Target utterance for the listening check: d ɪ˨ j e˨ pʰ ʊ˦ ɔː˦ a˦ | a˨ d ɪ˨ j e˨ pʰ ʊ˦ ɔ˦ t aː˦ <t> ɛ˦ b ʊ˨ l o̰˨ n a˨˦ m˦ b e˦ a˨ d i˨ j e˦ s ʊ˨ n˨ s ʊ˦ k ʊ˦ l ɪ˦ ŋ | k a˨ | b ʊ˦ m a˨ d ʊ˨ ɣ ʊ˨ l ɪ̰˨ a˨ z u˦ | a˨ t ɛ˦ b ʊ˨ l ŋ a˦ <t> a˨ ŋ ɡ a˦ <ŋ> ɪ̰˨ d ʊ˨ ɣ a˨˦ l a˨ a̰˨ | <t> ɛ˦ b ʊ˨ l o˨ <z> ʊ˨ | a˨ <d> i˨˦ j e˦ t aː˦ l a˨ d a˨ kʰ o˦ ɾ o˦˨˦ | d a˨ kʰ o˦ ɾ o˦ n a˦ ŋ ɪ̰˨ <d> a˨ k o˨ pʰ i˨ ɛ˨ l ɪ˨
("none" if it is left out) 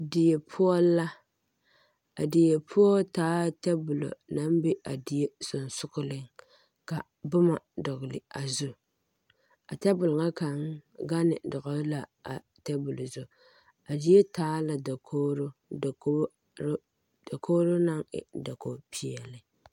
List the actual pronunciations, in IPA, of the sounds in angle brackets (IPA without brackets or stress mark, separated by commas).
t, k, n, t, z, d, d